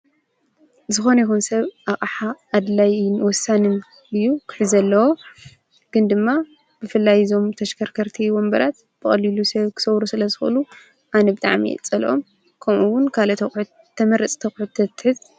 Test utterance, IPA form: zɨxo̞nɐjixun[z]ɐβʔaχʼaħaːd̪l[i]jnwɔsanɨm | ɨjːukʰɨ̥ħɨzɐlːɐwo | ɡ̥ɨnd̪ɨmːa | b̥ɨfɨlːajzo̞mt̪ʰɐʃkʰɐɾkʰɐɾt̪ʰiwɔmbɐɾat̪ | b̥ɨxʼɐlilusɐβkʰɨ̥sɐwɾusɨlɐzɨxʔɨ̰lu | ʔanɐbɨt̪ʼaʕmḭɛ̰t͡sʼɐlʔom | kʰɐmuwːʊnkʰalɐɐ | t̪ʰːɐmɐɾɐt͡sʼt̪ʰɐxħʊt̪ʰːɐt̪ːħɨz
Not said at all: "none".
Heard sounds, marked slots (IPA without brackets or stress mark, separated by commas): s, a